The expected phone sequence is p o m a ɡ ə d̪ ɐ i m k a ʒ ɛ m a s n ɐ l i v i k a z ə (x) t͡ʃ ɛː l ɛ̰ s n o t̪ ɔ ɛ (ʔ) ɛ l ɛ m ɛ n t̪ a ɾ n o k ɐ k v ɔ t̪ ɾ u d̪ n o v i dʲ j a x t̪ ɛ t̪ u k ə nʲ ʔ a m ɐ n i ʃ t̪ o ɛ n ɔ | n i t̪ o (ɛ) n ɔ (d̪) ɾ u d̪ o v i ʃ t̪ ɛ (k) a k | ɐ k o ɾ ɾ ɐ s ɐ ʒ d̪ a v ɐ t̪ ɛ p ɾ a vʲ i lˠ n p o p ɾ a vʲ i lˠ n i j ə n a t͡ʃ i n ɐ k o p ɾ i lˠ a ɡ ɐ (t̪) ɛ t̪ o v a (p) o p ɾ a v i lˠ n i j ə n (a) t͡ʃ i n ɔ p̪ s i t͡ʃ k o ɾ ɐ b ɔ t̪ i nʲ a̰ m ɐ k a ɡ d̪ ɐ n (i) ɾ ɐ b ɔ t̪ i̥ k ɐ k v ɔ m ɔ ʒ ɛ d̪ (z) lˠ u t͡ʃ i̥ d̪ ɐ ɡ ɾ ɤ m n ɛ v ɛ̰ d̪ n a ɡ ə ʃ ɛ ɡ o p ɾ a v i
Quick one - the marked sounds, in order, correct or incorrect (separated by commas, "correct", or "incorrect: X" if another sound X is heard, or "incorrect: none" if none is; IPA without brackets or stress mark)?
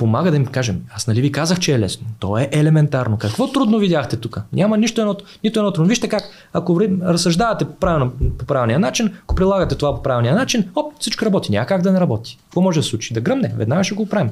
correct, correct, correct, incorrect: t̪, correct, correct, correct, correct, incorrect: ɛ, incorrect: s